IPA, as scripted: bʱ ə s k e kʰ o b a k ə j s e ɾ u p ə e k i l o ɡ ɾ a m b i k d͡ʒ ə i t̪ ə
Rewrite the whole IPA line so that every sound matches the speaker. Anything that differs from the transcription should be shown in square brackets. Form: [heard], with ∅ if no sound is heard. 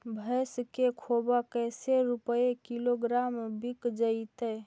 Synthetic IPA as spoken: bʱ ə s k e kʰ o b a k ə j s e ɾ u p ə e k i l o ɡ ɾ a m b i k d͡ʒ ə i t̪ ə